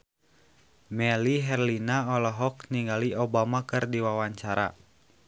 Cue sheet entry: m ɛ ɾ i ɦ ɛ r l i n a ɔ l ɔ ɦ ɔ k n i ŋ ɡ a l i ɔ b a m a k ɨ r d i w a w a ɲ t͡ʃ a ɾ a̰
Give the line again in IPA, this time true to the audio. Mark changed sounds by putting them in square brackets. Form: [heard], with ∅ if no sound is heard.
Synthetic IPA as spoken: m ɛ [l] i ɦ ɛ r l i n a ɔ l ɔ ɦ ɔ k n i ŋ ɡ a l i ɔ b a m a k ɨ r d i w a w a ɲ t͡ʃ a ɾ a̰